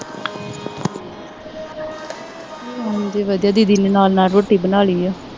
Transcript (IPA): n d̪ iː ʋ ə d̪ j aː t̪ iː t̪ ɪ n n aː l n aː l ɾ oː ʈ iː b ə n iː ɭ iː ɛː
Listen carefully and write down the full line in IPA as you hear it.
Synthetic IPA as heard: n d̪ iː ʋ ə d̪ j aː d̪ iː d̪ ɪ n n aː l n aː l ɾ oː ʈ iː b ə n aː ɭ iː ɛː